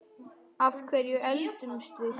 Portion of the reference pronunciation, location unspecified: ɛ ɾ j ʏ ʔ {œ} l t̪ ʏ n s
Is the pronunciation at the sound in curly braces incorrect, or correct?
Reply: incorrect